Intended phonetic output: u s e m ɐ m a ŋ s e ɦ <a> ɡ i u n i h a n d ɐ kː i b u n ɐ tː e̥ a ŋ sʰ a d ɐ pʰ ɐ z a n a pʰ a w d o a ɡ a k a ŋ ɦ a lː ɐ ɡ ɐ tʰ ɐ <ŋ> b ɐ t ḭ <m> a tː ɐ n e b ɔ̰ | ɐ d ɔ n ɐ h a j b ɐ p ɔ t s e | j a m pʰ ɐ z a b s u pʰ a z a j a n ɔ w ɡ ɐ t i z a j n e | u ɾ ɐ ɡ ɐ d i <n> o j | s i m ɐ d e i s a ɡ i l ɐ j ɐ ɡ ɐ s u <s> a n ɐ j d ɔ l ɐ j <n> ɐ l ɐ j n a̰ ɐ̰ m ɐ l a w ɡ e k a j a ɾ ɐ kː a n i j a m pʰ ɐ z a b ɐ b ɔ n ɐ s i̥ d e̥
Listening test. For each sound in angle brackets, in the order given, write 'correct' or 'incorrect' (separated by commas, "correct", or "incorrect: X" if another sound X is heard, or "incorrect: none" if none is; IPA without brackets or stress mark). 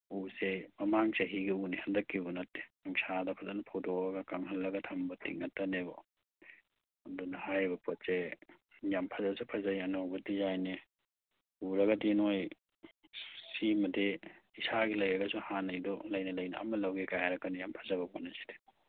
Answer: incorrect: i, incorrect: m, incorrect: ŋ, correct, incorrect: h, correct